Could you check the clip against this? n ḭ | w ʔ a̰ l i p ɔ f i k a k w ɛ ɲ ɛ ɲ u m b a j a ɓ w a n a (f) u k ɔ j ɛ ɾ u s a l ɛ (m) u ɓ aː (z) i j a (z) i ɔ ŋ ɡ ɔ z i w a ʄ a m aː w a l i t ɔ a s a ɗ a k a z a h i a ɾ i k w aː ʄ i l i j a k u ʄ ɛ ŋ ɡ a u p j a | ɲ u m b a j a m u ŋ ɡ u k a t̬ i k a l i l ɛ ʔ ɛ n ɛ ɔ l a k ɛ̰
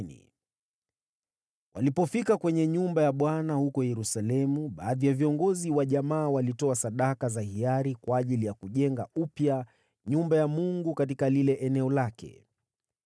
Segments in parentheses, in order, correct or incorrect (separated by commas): incorrect, correct, incorrect, incorrect